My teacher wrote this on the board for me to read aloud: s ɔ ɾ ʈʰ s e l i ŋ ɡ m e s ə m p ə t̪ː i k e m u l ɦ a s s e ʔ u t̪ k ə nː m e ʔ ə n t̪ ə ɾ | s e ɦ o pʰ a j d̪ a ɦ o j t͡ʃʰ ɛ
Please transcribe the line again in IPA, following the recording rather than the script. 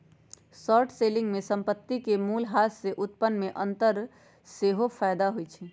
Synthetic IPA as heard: s ɔ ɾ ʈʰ s e l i ŋ ɡ m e s ə m p ə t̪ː i k e m u l ɦ a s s e ʔ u t̪ p ə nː m e ʔ ə n t̪ ə ɾ | s e ɦ o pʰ a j d̪ a ɦ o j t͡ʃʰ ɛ